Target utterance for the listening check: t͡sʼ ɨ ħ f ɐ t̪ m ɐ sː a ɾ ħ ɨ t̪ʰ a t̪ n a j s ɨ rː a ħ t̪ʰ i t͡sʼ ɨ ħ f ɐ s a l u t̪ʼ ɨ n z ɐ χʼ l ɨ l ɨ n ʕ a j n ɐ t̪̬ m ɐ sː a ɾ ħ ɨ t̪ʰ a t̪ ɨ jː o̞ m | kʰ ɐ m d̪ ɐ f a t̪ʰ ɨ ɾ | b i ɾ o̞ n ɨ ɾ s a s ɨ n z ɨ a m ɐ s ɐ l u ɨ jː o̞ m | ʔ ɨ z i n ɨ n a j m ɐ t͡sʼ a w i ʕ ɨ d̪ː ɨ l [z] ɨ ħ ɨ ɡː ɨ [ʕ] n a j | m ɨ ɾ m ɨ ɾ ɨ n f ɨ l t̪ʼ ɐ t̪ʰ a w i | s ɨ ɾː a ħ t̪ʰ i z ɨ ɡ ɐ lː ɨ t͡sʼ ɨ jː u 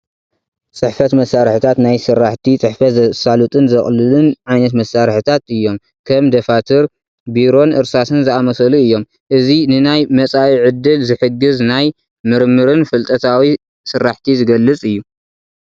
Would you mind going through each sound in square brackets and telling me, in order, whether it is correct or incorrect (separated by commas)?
correct, incorrect